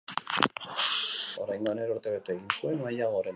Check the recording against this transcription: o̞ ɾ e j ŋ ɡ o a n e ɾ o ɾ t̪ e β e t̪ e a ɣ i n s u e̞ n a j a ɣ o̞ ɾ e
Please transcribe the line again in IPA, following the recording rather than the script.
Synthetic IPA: o̞ ɾ a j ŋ ɡ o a n e ɾ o ɾ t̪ e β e t̪ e e ɣ i n s u e̞ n a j a ɣ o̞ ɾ e

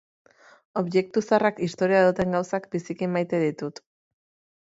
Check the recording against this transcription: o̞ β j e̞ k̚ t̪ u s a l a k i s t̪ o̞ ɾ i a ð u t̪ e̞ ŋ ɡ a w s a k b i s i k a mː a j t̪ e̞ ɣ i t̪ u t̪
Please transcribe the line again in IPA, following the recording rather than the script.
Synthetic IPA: o̞ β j e̞ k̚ t̪ u s a r a k i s t̪ o̞ ɾ i a ð u t̪ e̞ ŋ ɡ a w s a k b i s i k i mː a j t̪ e̞ ð i t̪ u t̪

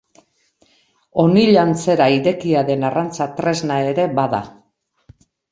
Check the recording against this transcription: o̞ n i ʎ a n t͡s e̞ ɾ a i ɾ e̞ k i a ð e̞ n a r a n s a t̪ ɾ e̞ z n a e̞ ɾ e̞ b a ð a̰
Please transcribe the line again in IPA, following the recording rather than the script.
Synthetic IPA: o̞ n i ʎ a n t͡s e̞ ɾ a i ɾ e̞ k i a ð e̞ n a r a n t͡s a t̪ ɾ e̞ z n a e̞ ɾ e̞ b a ð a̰

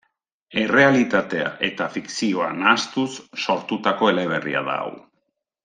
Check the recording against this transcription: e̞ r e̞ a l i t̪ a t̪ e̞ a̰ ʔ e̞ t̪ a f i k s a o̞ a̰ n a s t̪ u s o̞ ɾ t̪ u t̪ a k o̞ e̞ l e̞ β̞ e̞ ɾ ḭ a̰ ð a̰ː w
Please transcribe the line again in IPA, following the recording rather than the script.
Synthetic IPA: e̞ r e̞ a l i t̪ a t̪ e̞ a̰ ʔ e̞ t̪ a f i k s i o̞ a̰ n a s t̪ u sː o̞ ɾ t̪ u t̪ a k o̞ e̞ l e̞ β̞ e̞ r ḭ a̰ ð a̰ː w

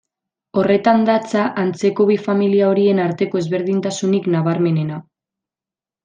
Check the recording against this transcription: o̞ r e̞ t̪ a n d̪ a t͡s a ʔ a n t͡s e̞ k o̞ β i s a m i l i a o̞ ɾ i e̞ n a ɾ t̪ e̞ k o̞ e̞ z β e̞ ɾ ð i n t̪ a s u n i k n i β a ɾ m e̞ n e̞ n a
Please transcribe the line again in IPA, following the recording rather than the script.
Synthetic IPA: o̞ r e̞ t̪ a n d̪ a t͡s a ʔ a n t͡s e̞ k o̞ β i f a m i l i a o̞ ɾ i e̞ n a ɾ t̪ e̞ k o̞ e̞ z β e̞ ɾ ð i n t̪ a s u n i k n a β a ɾ m e̞ n e̞ n a

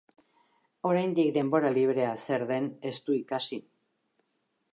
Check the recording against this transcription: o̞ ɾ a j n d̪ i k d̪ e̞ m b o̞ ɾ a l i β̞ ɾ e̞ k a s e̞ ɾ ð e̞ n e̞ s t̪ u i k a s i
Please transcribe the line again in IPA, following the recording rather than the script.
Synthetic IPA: o̞ ɾ a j n d̪ i k d̪ e̞ m b o̞ ɾ a l i β̞ ɾ e̞ a s e̞ ɾ ð e̞ n e̞ s t̪ u i k a s i

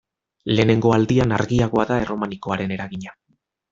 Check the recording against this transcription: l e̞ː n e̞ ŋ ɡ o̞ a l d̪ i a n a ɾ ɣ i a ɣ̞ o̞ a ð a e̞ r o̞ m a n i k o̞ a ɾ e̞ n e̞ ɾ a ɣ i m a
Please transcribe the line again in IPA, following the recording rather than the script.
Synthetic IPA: l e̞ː n e̞ ŋ ɡ o̞ a l d̪ i a n a ɾ ɣ i a ɣ̞ o̞ a ð a e̞ r o̞ m a n i k o̞ a ɾ e̞ n e̞ ɾ a ɣ i ɲ a

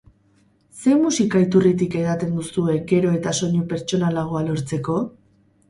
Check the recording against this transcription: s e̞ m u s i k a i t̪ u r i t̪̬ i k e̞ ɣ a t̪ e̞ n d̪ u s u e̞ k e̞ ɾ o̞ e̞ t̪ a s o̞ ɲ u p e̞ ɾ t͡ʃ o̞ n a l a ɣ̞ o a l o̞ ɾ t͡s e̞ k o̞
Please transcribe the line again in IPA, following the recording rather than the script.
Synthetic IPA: s e̞ m u s i k a i t̪ u r i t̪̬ i k e̞ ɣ a t̪ e̞ n d̪ u s u e̞ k e̞ ɾ o̞ e̞ t̪ a s o̞ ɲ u p e̞ ɾ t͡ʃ o̞ n a l a ɣ̞ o a l o̞ ɾ t͡s e̞ k o̞

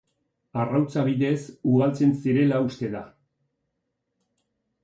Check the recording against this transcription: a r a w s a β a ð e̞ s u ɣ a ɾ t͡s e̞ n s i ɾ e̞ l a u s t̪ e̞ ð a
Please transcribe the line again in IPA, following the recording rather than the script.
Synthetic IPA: a r a w t͡s a β i ð e̞ s u ɣ a l t͡s e̞ n s i ɾ e̞ l a u s t̪ e̞ ð a

